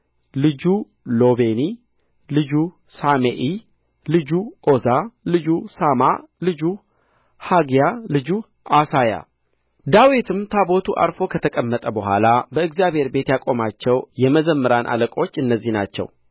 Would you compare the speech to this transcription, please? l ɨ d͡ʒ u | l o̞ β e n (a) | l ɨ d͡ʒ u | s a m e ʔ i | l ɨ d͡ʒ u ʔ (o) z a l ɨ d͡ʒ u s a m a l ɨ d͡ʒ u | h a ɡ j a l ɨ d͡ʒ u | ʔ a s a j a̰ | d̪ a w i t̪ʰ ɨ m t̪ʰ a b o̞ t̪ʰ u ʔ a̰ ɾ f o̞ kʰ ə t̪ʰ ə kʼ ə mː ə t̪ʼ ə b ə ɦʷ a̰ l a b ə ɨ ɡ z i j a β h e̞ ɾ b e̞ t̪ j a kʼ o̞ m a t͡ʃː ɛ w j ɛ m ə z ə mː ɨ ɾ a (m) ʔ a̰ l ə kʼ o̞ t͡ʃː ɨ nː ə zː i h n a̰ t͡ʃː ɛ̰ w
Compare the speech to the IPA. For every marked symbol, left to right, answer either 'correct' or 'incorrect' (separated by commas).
incorrect, correct, incorrect